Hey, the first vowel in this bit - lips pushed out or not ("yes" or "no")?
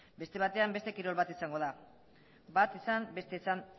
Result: no